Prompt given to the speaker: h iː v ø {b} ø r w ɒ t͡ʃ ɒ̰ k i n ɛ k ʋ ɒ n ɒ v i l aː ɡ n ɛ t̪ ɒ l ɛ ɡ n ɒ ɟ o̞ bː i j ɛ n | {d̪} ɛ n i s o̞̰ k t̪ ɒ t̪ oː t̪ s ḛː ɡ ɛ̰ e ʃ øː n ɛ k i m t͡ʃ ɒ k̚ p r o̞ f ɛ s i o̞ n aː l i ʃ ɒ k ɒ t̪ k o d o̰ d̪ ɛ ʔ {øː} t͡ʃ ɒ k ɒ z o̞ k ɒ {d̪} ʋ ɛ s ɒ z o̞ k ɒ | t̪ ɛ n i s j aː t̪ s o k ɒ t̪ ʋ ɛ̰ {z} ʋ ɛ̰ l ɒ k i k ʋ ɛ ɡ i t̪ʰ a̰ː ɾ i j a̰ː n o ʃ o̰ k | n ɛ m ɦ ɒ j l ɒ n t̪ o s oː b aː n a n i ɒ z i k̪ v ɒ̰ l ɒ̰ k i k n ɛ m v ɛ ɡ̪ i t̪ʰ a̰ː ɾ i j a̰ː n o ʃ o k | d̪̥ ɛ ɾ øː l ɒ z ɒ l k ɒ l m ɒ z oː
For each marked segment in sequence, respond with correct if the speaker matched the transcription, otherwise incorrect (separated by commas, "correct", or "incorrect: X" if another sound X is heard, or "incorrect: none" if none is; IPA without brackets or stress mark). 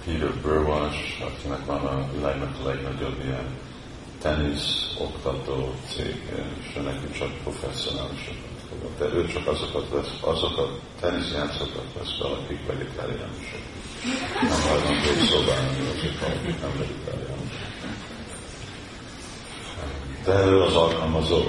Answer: correct, incorrect: t̪, correct, incorrect: t̪, incorrect: s